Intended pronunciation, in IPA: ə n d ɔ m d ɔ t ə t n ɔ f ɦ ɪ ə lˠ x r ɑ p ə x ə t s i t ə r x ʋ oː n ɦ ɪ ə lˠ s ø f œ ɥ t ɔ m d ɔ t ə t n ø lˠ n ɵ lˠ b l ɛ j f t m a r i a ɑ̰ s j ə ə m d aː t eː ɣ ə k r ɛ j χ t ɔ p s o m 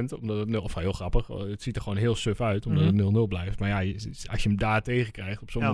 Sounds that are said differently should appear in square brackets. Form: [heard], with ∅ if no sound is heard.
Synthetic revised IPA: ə n [t] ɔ m d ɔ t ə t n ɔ f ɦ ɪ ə lˠ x r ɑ p ə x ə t s i t ə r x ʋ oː n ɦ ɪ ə lˠ s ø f œ ɥ t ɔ m d ɔ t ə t n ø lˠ n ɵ lˠ b l ɛ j f t m a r [j] a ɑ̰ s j ə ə m d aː t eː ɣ ə k r ɛ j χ t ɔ p s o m